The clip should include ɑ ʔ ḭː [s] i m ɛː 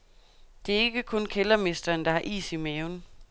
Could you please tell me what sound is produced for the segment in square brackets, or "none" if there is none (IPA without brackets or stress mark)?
s